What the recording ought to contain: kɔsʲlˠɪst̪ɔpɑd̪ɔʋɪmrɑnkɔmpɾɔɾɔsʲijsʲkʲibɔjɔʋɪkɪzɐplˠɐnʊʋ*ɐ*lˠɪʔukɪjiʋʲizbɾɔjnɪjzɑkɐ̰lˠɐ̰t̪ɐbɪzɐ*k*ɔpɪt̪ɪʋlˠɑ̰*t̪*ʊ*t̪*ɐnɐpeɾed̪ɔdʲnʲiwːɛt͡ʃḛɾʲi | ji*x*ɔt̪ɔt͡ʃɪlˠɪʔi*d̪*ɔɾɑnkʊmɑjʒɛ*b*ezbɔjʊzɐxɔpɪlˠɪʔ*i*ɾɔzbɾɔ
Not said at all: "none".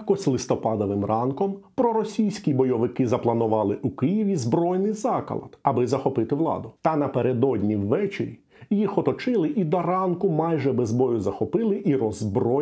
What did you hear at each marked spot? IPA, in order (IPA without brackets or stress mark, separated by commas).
ɑ, x, d̪, t̪, x, d̪, b, i